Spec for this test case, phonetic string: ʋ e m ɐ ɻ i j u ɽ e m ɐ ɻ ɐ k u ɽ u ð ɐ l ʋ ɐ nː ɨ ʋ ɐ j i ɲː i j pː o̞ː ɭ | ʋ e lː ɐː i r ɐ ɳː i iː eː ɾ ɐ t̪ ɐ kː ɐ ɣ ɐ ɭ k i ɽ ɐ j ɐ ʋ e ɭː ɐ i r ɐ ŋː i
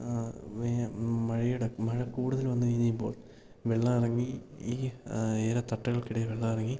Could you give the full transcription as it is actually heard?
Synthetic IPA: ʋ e m ɐ ɻ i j u ɽ e m ɐ ɻ ɐ k uː ɽ u ð ɐ l ʋ ɐ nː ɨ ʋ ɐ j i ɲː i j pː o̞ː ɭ | ʋ e ɭː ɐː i r ɐ ŋː i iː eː ɾ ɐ t̪ ɐ ʈː ɐ ɣ ɐ ɭ k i ɽ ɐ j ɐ ʋ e ɭː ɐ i r ɐ ŋː i